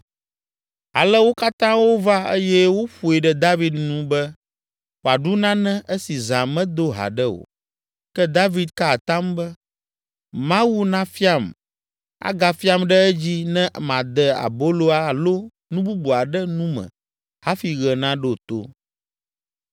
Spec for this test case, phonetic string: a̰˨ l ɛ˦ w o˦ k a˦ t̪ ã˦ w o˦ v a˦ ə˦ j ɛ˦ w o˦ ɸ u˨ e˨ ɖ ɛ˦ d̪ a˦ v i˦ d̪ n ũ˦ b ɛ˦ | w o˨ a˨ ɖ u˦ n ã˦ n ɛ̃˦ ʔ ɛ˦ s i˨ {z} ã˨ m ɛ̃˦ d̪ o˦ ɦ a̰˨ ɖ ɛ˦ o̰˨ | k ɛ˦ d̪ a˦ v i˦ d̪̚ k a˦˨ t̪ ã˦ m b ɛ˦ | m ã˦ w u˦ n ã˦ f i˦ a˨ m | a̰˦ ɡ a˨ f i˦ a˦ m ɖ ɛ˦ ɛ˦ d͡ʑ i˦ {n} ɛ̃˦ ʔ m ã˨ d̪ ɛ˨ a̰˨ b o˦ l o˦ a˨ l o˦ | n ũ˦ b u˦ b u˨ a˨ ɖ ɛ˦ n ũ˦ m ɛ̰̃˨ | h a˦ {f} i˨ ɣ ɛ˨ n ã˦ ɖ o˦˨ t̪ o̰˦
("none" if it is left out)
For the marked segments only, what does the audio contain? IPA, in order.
z, n, f

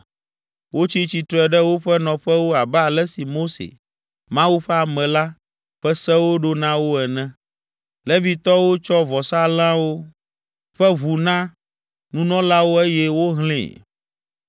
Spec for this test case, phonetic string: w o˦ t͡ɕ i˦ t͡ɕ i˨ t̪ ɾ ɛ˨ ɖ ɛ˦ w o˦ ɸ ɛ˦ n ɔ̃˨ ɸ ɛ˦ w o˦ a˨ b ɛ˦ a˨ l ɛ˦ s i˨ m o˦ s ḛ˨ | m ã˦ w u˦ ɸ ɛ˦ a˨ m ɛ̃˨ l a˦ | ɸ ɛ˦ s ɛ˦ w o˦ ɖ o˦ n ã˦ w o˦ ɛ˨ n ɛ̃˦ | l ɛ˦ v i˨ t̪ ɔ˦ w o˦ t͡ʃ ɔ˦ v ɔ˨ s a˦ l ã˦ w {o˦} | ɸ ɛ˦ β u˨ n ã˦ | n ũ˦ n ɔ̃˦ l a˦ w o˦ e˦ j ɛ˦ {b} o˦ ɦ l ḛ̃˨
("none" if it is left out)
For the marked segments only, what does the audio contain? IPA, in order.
o˦, w

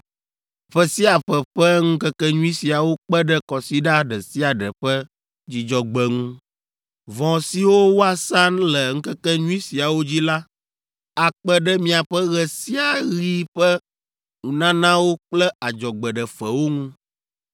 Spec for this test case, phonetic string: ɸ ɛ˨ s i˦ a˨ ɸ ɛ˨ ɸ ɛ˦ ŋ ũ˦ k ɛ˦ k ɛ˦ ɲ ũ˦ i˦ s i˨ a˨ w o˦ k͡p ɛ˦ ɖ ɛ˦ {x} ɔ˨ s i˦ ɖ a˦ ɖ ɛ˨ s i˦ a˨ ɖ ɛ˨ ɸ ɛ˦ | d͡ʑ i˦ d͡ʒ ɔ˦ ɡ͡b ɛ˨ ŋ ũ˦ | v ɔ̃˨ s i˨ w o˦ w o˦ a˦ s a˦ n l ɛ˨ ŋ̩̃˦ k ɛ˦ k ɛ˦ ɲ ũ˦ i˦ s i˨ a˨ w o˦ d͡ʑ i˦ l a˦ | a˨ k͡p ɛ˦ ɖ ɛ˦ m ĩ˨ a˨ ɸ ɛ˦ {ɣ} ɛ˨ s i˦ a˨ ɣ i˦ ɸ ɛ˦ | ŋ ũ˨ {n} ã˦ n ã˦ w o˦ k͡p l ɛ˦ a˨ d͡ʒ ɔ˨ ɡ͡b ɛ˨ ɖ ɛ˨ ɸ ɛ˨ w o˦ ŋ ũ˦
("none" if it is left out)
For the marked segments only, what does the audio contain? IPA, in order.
k, ɣ, n

